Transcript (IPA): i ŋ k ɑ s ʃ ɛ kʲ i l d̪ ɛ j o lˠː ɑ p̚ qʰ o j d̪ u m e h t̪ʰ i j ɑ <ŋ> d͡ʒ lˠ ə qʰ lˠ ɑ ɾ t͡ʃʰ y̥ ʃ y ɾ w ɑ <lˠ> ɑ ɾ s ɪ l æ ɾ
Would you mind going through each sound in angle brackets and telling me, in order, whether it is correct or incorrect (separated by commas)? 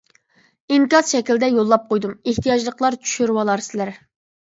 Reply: incorrect, correct